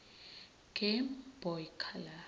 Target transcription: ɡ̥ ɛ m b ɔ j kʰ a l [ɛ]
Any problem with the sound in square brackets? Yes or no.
yes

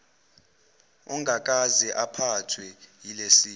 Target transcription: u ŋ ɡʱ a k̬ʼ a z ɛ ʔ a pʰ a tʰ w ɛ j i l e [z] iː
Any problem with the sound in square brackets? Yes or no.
yes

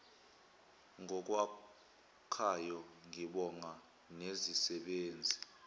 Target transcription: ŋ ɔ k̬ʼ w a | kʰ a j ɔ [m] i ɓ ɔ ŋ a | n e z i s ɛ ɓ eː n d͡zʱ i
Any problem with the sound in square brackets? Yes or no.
yes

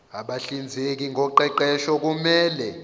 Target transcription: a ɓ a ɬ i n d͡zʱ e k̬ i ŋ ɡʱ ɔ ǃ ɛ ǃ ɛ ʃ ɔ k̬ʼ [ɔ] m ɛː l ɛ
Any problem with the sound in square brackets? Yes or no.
yes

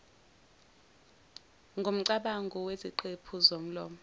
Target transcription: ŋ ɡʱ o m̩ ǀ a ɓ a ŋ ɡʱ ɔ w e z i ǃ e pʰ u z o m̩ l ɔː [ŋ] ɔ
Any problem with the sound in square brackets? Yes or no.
yes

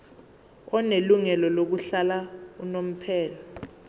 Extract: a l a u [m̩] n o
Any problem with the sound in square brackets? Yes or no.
yes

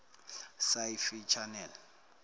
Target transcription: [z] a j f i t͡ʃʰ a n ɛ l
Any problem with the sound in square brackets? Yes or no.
yes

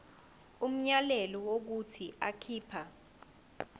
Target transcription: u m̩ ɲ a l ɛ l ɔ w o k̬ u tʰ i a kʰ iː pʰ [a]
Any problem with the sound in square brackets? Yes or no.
no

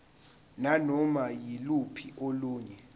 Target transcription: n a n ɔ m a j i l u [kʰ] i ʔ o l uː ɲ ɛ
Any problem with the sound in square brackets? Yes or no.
yes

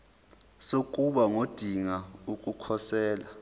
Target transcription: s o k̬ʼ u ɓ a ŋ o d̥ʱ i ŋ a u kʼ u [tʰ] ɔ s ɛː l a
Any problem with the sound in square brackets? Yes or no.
yes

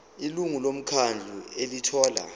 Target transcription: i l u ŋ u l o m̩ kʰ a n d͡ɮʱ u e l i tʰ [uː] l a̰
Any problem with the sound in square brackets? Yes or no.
yes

